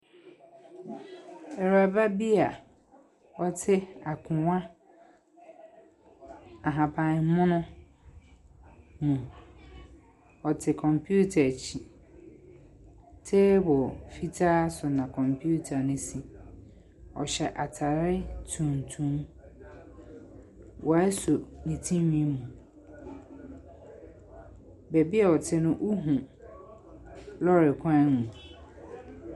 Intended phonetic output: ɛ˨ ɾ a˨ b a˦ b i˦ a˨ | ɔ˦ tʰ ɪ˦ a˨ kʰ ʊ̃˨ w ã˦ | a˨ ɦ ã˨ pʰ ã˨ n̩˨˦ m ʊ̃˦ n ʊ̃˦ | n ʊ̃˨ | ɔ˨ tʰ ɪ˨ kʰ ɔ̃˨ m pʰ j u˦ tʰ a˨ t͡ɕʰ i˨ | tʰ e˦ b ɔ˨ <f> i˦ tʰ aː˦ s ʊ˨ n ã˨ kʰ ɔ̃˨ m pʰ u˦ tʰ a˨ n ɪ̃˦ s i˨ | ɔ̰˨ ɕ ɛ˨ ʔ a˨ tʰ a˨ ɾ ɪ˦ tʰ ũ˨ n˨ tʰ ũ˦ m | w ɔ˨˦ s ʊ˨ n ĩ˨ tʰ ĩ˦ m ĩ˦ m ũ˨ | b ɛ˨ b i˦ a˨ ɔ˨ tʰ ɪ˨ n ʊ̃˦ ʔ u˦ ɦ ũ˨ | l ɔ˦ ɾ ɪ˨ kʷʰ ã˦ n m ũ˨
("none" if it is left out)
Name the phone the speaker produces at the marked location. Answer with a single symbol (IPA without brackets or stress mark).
f